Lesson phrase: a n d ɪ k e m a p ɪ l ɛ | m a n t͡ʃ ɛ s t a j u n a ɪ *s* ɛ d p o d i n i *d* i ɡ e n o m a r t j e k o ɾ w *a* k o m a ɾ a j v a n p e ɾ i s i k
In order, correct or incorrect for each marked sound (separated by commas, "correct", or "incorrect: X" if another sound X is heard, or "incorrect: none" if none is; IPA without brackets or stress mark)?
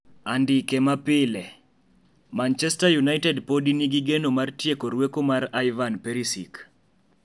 incorrect: t, incorrect: ɡ, incorrect: e